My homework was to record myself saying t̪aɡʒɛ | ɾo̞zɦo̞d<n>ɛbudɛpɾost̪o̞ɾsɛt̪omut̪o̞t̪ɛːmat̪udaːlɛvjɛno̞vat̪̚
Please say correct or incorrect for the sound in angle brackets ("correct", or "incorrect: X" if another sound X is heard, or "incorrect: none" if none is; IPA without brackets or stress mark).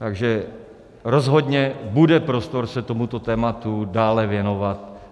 incorrect: ɲ